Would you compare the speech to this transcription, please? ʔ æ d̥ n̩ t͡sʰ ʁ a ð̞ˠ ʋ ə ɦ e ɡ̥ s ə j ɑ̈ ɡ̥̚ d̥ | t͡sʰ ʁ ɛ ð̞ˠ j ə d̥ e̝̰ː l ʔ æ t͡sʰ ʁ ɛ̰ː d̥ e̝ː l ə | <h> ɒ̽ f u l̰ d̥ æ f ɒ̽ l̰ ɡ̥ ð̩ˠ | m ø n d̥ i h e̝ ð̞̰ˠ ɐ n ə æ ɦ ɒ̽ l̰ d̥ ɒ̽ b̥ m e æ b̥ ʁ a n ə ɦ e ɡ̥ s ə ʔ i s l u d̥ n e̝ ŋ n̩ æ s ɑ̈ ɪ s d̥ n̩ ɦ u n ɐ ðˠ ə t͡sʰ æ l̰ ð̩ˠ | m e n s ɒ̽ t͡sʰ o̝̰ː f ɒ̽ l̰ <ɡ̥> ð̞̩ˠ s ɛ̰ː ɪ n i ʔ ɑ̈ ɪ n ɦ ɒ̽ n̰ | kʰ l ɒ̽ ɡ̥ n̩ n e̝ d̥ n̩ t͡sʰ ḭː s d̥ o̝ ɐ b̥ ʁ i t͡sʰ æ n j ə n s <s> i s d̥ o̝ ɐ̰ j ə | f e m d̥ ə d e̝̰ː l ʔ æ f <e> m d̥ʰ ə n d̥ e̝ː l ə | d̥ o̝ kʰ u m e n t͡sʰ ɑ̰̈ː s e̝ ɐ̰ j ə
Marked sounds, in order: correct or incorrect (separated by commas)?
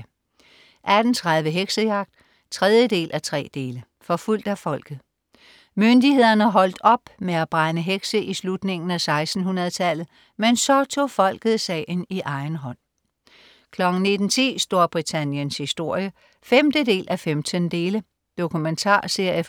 incorrect, correct, incorrect, correct